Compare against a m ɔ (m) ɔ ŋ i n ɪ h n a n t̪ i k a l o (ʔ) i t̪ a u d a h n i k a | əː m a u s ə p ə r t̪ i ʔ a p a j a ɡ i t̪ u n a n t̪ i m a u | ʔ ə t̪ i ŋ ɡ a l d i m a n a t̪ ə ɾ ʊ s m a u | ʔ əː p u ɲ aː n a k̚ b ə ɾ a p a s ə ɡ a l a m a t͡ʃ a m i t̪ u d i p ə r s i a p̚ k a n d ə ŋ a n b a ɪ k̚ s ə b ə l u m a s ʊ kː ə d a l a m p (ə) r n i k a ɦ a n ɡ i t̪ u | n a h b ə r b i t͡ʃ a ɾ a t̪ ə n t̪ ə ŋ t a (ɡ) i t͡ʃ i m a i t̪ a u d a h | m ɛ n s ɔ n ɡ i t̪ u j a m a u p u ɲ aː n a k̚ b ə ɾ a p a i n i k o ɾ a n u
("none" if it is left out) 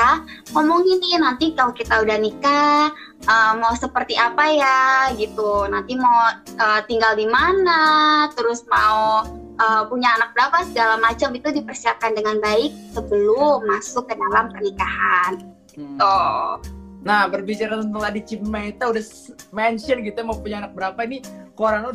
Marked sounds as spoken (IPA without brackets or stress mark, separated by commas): m, k, ə, d